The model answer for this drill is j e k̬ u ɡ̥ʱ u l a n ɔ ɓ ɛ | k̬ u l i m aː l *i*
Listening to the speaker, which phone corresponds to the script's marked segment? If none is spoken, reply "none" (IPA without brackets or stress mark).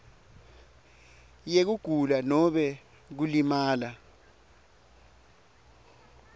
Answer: a